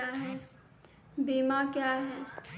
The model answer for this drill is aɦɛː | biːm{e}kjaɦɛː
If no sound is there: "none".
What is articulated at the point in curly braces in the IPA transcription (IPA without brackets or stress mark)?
a